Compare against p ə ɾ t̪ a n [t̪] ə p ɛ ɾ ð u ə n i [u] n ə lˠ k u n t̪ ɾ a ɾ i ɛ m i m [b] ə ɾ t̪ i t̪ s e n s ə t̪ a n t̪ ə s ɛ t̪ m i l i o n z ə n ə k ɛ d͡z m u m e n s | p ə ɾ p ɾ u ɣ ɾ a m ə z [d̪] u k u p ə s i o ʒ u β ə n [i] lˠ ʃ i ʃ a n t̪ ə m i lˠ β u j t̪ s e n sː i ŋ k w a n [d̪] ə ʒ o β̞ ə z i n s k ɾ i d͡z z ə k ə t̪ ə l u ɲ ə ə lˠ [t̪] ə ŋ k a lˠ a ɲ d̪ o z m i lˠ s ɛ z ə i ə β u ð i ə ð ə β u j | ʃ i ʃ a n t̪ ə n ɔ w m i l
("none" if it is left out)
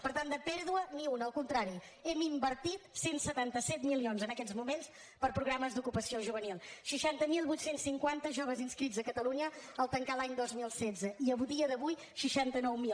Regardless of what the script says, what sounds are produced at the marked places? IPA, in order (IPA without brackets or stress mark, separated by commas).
d̪, u, b, d̪, i, t̪, t̪